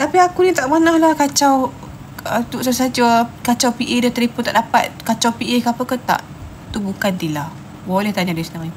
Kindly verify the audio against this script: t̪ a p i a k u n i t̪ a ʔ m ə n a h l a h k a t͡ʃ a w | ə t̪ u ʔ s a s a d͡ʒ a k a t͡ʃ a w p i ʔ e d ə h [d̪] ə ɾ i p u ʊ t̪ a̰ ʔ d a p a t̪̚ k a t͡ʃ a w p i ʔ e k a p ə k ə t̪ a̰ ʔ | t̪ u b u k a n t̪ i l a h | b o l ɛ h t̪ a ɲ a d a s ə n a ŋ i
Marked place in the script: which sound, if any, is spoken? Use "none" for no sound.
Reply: t̪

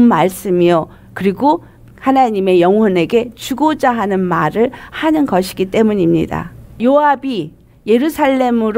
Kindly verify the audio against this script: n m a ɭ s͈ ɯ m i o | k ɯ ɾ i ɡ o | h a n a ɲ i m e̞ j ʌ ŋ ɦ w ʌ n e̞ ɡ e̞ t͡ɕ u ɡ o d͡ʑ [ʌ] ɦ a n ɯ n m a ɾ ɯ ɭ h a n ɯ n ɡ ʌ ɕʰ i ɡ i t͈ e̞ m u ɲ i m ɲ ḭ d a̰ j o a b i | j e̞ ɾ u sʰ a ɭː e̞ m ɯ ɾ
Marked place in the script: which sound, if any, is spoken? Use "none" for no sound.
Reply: a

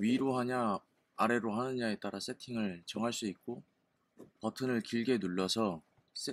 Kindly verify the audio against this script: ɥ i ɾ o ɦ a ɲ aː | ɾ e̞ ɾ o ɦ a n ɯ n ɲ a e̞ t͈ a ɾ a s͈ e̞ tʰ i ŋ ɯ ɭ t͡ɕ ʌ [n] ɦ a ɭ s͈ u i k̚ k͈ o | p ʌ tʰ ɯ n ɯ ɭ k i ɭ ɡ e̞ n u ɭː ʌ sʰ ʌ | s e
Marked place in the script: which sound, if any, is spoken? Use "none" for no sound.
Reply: ŋ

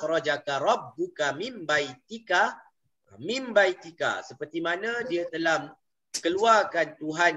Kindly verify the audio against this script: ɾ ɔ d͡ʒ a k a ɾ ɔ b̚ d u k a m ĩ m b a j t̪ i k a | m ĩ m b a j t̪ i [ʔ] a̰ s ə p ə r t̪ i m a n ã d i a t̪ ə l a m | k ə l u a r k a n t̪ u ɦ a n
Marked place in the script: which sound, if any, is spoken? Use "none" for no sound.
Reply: k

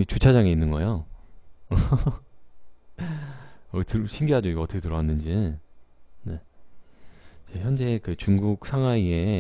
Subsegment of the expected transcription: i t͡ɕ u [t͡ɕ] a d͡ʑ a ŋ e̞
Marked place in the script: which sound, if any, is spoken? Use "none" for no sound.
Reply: t͡ɕʰ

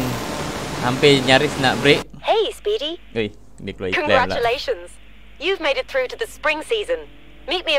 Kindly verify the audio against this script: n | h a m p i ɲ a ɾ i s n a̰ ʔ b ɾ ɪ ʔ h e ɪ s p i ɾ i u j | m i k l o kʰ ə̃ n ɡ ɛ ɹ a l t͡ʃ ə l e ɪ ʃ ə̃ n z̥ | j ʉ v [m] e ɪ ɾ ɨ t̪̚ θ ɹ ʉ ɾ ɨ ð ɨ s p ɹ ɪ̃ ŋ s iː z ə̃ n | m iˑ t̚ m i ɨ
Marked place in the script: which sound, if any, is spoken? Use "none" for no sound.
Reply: m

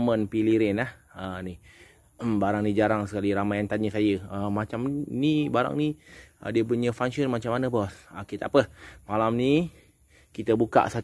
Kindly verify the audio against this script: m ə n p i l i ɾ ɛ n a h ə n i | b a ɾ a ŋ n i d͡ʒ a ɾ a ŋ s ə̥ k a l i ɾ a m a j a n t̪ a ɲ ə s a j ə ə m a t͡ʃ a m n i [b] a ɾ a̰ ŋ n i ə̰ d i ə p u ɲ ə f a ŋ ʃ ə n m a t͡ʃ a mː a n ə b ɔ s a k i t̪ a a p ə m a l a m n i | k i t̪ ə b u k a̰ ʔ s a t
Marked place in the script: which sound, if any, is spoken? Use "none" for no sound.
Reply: b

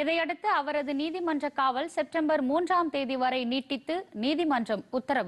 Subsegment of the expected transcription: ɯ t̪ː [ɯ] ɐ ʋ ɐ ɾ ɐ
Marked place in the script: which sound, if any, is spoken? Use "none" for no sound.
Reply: ɯ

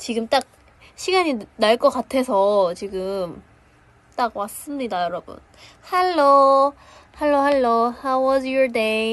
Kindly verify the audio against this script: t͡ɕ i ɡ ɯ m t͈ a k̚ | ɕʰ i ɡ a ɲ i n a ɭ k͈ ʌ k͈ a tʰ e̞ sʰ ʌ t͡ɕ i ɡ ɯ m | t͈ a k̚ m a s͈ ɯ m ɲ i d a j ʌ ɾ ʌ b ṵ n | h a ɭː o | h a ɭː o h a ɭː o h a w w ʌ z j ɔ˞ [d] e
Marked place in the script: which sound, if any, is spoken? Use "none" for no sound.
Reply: d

